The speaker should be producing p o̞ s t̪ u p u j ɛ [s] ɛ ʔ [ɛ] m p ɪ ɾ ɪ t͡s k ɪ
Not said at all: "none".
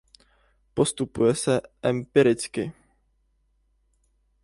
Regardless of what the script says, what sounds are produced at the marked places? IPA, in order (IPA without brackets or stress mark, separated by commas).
s, ɛ